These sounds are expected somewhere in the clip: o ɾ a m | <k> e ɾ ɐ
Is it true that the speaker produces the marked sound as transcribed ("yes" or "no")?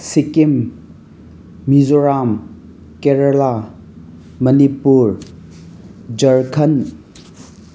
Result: yes